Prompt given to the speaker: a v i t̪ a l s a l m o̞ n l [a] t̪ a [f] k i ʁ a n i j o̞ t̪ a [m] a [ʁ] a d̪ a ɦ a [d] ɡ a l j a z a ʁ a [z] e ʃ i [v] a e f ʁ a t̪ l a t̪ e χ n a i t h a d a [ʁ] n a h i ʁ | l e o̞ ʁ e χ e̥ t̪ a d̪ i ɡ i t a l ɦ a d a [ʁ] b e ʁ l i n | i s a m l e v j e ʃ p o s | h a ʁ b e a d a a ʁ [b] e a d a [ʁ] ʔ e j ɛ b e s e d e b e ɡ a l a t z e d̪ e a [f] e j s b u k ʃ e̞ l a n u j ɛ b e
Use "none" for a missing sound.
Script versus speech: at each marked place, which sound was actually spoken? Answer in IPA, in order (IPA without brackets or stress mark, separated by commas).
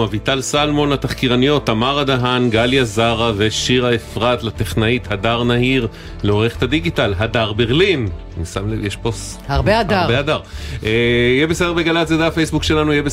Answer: a, χ, m, ʁ, n, v, ʁ, ʁ, ʁ, b, ʁ, f